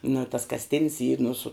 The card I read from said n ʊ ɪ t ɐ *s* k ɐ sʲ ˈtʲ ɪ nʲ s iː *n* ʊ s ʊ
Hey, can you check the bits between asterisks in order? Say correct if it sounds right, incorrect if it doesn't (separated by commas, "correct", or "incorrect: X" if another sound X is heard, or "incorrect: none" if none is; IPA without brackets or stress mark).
correct, correct